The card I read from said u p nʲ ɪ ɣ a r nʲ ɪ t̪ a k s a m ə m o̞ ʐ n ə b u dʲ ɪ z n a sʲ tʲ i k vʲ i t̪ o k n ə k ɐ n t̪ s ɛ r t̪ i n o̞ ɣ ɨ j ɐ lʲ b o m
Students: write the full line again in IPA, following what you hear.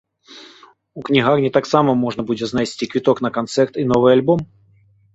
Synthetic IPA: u k nʲ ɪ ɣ a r nʲ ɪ t̪ a k s a m ə m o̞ ʐ n ə b u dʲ ɪ z n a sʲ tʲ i k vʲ ɪ t̪ o k n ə k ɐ n t̪ s ɛ r t̪ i n o̞ v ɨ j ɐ lʲ b o m